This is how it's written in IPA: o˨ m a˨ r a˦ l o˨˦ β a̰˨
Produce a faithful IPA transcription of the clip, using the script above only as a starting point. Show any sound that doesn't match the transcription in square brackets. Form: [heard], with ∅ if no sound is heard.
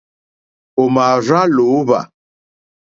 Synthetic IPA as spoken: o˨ m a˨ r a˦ l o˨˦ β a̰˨